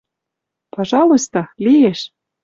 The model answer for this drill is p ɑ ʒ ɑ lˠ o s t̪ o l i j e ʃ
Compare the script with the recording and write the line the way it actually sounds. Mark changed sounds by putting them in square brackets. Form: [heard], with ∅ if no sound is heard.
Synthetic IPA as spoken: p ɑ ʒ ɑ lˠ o s t̪ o l i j e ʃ